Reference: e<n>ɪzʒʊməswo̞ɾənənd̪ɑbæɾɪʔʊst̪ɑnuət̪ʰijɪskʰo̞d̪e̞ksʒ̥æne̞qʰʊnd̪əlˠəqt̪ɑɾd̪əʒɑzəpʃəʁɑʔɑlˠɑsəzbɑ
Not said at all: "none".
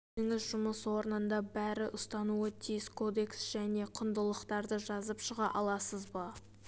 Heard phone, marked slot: ŋ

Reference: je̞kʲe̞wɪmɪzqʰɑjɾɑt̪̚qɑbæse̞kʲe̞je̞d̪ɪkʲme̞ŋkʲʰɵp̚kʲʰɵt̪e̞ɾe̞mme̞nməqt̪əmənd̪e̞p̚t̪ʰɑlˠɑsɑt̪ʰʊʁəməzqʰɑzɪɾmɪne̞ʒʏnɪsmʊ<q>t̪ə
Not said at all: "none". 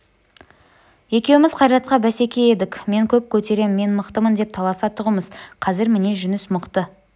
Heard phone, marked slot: q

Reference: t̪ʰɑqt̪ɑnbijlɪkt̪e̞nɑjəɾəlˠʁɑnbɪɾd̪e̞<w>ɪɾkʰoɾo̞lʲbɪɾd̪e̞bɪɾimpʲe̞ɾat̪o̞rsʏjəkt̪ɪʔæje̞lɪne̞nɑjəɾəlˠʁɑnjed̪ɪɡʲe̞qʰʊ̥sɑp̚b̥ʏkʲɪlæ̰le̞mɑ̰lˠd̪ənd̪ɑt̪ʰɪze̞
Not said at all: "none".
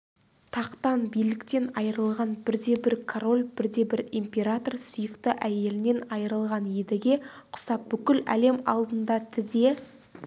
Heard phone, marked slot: b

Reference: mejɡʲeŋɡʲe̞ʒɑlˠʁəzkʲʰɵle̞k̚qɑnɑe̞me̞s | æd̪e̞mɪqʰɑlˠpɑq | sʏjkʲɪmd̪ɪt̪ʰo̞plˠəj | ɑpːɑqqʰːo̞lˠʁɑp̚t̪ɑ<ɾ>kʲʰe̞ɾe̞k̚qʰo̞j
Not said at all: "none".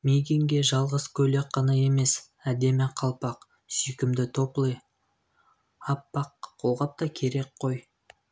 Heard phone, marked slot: none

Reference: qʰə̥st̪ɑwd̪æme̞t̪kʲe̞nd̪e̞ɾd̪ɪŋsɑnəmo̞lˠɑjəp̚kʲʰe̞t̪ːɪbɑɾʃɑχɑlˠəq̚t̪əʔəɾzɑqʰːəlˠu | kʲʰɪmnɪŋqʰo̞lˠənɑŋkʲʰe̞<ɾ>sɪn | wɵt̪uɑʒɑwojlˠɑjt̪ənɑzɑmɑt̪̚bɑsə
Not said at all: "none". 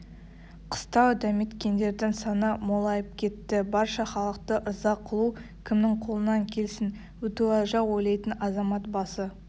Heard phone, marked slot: l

